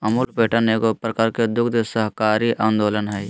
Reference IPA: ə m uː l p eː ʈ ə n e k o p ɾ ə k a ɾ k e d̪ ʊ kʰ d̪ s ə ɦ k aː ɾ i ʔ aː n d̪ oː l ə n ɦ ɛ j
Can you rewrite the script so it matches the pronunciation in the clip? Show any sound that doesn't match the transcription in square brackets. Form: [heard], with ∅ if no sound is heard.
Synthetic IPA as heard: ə m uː l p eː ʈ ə n e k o p ɾ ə k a ɾ k e d̪ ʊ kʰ d̪ s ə ɦ k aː ɾ i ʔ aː n d̪ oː l ə n ɦ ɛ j